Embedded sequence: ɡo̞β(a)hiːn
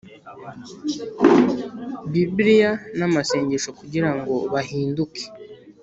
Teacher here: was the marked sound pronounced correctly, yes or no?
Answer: yes